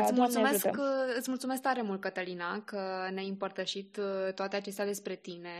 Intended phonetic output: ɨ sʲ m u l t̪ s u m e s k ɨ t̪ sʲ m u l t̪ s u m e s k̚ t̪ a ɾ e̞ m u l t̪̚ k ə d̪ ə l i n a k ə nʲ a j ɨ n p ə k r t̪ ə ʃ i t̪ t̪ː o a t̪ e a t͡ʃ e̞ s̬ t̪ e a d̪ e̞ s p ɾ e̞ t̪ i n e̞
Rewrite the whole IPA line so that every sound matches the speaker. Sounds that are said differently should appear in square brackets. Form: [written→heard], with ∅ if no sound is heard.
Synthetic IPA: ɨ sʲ m u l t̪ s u m e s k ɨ t̪ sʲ m u l t̪ s u m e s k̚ t̪ a ɾ e̞ m u l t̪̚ k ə [d̪→t̪] ə l i n a k ə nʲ a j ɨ [n→m] p ə [k→∅] r t̪ ə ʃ i t̪ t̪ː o a t̪ e a t͡ʃ e̞ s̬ t̪ e a d̪ e̞ s p ɾ e̞ t̪ i n e̞